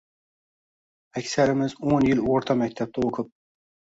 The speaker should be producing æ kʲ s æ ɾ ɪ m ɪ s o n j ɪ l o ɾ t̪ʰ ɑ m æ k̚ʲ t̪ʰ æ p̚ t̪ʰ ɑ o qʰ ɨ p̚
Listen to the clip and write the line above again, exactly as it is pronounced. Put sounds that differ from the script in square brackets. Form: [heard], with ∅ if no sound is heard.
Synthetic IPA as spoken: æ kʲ s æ ɾ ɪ m ɪ [z] o n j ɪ l o ɾ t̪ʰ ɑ m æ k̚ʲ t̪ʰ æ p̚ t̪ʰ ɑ o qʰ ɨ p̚

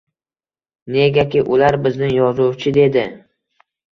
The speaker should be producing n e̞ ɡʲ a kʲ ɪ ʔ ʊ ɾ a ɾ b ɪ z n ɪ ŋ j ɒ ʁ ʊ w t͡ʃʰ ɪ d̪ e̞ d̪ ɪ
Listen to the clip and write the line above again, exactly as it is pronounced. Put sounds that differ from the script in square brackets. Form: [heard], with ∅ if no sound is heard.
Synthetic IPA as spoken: n e̞ ɡʲ a kʲ ɪ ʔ ʊ [l] a ɾ b ɪ z n ɪ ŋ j ɒ [z] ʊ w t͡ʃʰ ɪ d̪ e̞ d̪ ɪ

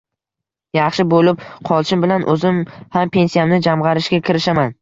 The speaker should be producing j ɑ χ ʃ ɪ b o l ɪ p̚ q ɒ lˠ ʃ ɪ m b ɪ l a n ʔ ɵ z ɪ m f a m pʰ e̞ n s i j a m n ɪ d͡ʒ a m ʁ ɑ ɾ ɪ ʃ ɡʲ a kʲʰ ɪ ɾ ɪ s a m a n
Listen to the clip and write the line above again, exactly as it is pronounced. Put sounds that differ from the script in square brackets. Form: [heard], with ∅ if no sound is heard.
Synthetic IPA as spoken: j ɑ χ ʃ ɪ b o l ɪ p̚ [qʰ] ɒ lˠ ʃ ɪ m b ɪ l a n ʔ ɵ z ɪ m [h] a m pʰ e̞ n s i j a m n ɪ d͡ʒ a m ʁ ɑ ɾ ɪ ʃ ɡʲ a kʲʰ ɪ ɾ ɪ [ʃ] a m a n

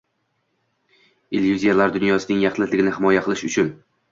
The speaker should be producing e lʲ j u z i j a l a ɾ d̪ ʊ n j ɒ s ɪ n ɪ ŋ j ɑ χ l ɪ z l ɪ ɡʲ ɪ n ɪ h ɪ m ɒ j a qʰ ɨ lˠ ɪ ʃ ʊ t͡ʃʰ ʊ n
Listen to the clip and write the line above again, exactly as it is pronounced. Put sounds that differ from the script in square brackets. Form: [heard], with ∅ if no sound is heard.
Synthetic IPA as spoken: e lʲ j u z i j a l a ɾ d̪ ʊ n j ɒ s ɪ n ɪ ŋ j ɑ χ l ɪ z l ɪ ɡʲ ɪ n ɪ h ɪ m ɒ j a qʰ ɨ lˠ ɪ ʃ ʊ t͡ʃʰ ʊ n

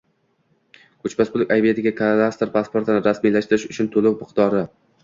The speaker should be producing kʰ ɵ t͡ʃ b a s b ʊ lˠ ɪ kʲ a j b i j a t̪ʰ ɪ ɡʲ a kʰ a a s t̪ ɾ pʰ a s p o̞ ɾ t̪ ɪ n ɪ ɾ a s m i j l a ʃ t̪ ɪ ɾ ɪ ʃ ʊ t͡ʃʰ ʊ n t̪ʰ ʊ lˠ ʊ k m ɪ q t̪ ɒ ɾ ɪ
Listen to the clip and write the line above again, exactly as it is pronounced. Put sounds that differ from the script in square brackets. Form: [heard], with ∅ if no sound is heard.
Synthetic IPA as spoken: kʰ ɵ t͡ʃ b a s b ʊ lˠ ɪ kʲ a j b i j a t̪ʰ ɪ ɡʲ a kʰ a a s t̪ ɾ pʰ a s p o̞ ɾ t̪ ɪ n ɪ ɾ a s m i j l a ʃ t̪ ɪ ɾ ɪ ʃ ʊ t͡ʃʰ ʊ n t̪ʰ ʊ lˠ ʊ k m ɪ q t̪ ɒ ɾ ɪ

